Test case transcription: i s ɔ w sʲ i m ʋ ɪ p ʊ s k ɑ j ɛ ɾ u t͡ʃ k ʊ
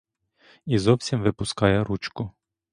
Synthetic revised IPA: i z ɔ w sʲ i m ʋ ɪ p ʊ s k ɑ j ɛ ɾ u t͡ʃ k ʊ